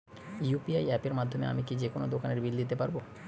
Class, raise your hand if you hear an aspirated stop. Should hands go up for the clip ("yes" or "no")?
no